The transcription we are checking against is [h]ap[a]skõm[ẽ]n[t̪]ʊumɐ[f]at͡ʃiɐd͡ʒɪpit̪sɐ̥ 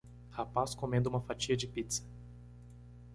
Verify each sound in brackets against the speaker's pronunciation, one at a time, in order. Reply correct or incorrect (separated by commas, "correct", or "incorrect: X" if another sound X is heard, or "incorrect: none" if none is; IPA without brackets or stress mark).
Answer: correct, correct, correct, incorrect: d̪, correct